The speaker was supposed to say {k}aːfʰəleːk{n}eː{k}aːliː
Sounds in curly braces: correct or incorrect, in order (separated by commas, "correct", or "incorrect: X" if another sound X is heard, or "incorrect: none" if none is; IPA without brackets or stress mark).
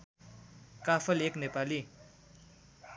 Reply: correct, correct, incorrect: p